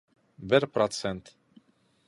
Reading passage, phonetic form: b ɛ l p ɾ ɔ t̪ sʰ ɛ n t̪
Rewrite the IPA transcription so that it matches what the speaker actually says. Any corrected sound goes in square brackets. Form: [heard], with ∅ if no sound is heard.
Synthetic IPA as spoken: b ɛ [ɾ] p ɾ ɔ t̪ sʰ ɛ n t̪